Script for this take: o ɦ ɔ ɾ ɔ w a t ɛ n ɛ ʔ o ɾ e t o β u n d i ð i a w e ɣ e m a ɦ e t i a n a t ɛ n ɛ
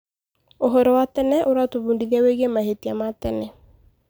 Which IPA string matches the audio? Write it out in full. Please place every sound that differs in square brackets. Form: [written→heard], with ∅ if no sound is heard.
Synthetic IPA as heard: o ɦ ɔ ɾ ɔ w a t ɛ n ɛ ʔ o ɾ [e→a] t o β u n d i ð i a w e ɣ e m a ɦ e t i a [n→m] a t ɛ n ɛ